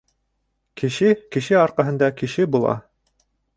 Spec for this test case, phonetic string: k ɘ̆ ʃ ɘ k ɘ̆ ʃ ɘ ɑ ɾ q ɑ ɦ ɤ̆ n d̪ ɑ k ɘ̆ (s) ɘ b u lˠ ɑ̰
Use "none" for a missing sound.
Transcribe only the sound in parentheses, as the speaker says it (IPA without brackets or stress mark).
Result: ʃ